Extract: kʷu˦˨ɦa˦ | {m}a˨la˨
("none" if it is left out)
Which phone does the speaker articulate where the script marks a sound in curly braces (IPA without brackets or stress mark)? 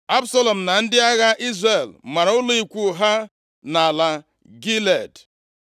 n